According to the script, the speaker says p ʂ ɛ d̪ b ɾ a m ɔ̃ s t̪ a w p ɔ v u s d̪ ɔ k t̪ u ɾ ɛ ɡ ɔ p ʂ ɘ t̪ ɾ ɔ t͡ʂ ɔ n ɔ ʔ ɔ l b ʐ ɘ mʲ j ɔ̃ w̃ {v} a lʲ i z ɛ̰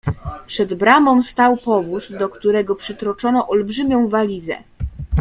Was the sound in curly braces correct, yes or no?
yes